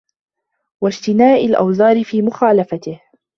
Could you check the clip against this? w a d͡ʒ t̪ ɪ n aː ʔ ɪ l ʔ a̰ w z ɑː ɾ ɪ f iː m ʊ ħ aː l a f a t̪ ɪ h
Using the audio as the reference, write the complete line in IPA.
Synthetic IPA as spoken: w a d͡ʒ t̪ ɪ n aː ʔ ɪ l ʔ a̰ w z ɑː ɾ ɪ f iː m ʊ x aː l a f a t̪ ɪ h

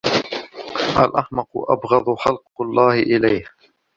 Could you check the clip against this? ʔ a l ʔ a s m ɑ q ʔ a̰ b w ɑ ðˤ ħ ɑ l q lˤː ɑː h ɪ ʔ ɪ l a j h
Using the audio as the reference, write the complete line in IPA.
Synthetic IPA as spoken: ʔ a l ʔ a ħ m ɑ q ʔ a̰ b ɣ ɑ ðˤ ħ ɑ l q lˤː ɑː h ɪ ʔ ɪ l a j h

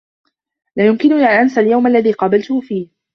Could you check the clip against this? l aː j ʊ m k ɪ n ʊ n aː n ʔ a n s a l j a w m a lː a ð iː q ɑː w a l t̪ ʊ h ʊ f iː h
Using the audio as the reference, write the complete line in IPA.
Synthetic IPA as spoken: l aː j ʊ m k ɪ n ʊ n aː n ʔ a n s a l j a w m a lː a ð iː q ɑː b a l t̪ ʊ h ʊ f iː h

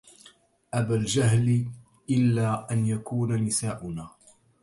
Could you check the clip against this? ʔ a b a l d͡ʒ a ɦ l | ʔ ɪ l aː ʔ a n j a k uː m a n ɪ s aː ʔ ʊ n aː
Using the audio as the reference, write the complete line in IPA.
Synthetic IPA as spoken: ʔ a b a l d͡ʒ a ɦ l | ʔ ɪ lː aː ʔ a n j a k uː n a n ɪ s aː ʔ ʊ n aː

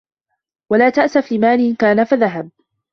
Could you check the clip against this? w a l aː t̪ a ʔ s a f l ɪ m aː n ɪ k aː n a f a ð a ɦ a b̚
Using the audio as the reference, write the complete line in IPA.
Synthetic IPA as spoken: w a l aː t̪ a ʔ s a f l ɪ m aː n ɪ k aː n a f a ð a ɦ a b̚

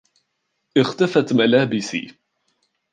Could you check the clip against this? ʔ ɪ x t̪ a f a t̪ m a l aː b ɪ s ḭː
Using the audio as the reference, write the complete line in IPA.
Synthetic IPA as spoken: ʔ ɪ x t̪ a f a t̪ m a l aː b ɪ s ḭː

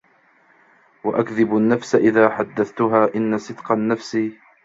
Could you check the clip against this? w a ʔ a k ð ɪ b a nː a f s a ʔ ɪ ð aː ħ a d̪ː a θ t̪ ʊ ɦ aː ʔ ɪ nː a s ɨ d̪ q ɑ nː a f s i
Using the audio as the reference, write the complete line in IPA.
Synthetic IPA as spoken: w a ʔ a k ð ɪ b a nː a f s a ʔ ɪ ð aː ħ a d̪ː a θ t̪ ʊ ɦ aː ʔ ɪ nː a s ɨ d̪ q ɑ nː a f s i

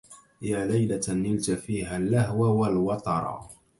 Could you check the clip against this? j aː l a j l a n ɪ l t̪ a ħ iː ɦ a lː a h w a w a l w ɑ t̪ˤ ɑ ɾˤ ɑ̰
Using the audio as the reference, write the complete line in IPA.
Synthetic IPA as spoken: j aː l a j l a n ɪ l t̪ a f iː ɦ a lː a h w a w a l w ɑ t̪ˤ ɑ ɾˤ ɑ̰

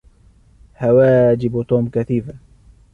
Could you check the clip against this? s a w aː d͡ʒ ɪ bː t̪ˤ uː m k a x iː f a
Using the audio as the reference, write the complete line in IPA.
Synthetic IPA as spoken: h a w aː d͡ʒ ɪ b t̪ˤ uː m k a θ iː f a

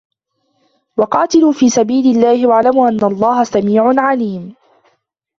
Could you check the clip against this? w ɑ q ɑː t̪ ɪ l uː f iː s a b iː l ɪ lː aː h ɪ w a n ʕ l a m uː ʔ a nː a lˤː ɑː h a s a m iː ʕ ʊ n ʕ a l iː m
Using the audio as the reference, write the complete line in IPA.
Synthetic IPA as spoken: w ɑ q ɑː t̪ ɪ l uː f iː s a b iː l ɪ lː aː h ɪ w a ʕ l a m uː ʔ a nː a lˤː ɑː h a s a m iː ʕ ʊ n ʕ a l iː m

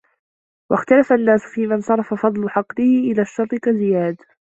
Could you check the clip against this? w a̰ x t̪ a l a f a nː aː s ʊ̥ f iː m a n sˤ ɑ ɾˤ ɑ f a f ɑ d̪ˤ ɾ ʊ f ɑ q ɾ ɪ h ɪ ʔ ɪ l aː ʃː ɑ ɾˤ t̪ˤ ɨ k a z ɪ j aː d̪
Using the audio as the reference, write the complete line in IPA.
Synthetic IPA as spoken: w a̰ x t̪ a l a f a nː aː s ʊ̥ f iː m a n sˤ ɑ ɾˤ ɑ f a f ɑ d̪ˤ l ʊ ħ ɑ q l ɪ h ɪ ʔ ɪ l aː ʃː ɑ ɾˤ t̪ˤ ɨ k a z ɪ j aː d̪

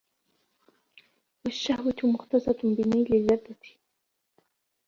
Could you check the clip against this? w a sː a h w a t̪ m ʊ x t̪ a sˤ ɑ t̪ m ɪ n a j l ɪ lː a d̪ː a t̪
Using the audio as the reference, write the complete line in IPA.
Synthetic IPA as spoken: w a ʃː a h w a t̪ m ʊ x t̪ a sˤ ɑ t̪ b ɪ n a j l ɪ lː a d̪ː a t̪

